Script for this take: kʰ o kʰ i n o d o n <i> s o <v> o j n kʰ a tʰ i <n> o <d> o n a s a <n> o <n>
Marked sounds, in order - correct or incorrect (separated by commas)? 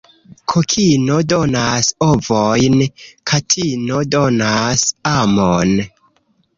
incorrect, correct, correct, correct, incorrect, correct